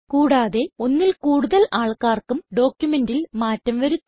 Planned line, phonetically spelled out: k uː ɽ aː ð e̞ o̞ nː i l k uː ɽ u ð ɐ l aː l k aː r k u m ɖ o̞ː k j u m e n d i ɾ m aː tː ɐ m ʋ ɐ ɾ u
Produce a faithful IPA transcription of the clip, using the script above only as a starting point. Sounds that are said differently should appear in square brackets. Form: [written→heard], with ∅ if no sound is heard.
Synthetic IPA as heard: k uː ɽ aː ð e̞ o̞ nː i l k uː ɽ u ð ɐ l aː [l→ɭ] k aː r k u m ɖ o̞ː k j u m e n d i [ɾ→l] m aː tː ɐ m ʋ ɐ ɾ u